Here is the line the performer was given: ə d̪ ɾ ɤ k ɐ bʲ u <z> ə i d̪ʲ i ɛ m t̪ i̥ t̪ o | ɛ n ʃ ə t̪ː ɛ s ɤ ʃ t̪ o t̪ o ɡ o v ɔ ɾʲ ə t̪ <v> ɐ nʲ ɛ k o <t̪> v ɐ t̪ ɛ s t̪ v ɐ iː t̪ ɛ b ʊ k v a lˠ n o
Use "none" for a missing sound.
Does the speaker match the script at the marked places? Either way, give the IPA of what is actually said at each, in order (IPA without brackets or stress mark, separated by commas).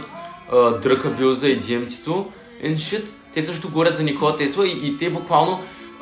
z, z, none